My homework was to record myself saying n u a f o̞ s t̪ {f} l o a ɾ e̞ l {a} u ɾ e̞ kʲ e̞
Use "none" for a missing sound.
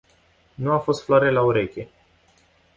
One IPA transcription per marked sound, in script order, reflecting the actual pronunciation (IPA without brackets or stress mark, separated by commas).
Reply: f, a